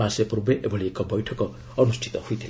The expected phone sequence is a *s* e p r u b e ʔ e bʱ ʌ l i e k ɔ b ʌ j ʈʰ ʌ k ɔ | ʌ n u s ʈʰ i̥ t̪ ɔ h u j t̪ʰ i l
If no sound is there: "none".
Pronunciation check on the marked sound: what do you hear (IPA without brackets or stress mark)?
s